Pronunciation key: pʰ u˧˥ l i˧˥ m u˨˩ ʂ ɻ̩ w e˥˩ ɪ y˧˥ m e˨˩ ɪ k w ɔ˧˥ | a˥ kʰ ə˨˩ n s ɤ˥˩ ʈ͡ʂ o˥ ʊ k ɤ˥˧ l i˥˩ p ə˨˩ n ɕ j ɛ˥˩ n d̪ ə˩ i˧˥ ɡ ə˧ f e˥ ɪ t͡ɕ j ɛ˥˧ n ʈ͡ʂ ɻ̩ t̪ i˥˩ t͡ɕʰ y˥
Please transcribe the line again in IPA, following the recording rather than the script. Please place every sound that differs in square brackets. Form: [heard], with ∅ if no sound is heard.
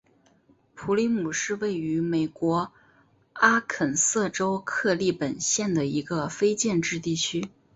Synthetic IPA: pʰ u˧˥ l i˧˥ m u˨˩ ʂ ɻ̩ w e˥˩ ɪ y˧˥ m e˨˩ ɪ k w ɔ˧˥ | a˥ kʰ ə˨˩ n s ɤ˥˩ ʈ͡ʂ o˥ ʊ [kʰ] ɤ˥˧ l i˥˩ p ə˨˩ n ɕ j ɛ˥˩ n d̪ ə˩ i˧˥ ɡ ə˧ f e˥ ɪ t͡ɕ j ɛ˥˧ n ʈ͡ʂ ɻ̩ t̪ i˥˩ t͡ɕʰ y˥